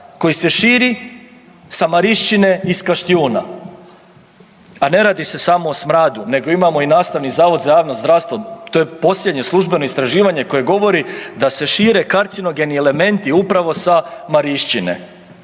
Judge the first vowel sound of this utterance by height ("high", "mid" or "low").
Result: mid